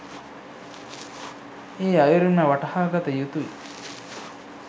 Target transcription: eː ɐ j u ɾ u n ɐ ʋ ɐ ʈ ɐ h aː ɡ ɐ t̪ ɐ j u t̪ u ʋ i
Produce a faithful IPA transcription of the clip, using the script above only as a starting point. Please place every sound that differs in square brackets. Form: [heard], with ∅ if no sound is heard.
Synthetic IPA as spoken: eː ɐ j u ɾ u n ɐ ʋ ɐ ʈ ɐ h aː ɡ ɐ t̪ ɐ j u t̪ u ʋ i